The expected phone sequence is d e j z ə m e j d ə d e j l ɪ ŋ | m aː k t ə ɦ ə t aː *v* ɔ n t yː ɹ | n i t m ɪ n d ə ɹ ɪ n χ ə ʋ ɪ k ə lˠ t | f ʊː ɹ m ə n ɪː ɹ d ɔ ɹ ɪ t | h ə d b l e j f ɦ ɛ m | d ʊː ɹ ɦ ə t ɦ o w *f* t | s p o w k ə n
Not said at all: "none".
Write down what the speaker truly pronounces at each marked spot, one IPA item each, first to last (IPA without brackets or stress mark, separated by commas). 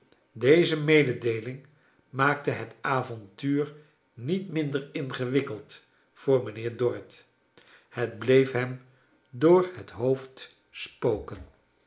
v, f